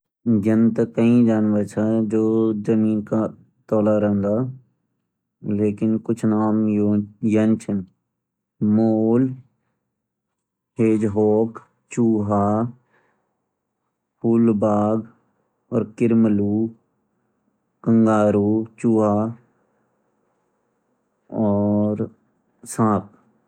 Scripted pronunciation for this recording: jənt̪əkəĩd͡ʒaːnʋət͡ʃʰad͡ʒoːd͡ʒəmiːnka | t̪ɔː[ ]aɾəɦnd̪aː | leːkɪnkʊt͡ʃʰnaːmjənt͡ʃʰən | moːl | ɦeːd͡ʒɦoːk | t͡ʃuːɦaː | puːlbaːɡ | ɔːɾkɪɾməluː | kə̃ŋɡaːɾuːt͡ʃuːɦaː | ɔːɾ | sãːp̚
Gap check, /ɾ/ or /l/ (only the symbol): l